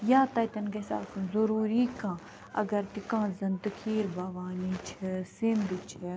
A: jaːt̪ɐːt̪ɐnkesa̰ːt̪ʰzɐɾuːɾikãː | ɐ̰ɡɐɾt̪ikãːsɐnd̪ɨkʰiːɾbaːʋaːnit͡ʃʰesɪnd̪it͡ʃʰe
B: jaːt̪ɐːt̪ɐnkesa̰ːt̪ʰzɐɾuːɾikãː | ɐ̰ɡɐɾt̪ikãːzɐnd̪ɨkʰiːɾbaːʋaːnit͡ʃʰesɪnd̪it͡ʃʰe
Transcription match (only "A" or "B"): B